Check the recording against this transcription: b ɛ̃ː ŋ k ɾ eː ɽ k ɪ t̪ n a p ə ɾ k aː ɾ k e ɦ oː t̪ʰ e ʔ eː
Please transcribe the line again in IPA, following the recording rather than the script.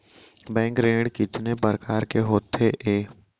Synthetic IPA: b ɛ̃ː ŋ k ɾ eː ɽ k ɪ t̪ n e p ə ɾ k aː ɾ k e ɦ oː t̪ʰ e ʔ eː